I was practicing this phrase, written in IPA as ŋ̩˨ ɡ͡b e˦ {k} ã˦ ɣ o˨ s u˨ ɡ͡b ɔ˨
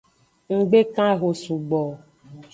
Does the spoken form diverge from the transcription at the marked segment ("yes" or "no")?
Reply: no